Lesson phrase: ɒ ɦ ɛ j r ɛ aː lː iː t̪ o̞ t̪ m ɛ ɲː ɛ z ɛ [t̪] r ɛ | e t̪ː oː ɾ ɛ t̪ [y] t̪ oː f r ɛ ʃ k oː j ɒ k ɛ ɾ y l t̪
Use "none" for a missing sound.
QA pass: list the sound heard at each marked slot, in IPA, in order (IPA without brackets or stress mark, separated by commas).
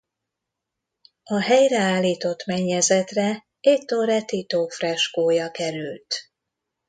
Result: t̪, i